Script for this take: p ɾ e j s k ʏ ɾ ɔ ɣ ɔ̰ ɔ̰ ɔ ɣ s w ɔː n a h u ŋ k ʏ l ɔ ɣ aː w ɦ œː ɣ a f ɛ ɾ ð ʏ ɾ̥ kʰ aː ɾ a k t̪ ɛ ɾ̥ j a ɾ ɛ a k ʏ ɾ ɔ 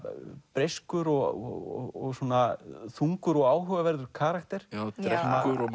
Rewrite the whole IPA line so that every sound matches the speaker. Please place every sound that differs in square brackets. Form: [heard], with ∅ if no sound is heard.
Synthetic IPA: p ɾ e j s k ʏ ɾ ɔ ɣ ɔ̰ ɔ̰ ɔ ɣ s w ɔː n a [θ] u ŋ k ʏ [ɾ] ɔ ɣ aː w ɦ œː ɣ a [v] ɛ ɾ ð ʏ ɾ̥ kʰ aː ɾ a k t̪ ɛ ɾ̥ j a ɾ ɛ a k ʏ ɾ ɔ